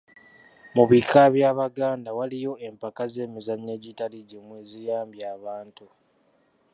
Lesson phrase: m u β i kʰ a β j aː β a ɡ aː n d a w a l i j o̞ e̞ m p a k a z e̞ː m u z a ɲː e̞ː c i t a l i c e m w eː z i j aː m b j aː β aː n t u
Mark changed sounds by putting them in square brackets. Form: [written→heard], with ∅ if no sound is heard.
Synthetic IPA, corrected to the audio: m u β i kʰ a β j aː β a ɡ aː n d a w a l i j o̞ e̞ m p a k a z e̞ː m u z a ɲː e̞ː [c→ɟ] i t a l i [c→ɟ] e m w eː z i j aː m b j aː β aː n t u